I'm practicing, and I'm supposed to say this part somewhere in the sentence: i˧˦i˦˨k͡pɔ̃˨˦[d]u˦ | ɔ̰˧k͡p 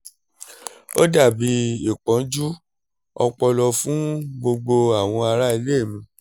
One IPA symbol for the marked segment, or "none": d͡ʒ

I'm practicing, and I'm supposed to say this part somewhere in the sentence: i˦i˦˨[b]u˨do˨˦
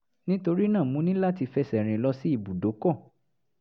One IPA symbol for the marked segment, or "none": b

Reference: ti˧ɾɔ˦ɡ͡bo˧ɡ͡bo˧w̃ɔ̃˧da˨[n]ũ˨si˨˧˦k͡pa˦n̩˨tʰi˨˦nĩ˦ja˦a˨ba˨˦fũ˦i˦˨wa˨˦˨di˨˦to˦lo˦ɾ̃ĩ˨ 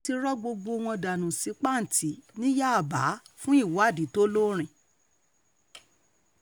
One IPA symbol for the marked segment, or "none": n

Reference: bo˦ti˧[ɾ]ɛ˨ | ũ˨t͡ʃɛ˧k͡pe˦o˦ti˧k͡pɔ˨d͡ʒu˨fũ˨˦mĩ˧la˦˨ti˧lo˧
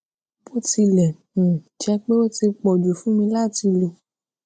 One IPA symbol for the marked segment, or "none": l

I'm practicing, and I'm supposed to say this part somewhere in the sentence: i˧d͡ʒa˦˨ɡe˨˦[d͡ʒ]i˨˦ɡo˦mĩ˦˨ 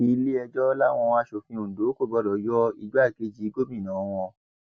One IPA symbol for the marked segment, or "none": d͡ʒ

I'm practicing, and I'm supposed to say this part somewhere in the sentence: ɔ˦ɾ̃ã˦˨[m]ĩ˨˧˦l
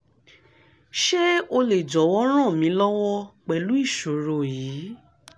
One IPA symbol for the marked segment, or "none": m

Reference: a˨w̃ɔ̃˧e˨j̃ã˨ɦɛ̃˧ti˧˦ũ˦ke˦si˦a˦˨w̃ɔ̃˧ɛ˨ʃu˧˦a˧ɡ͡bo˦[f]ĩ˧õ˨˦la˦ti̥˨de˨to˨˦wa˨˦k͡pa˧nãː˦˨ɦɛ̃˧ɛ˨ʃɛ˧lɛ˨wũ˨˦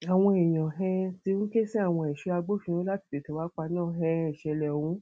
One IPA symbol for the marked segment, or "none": f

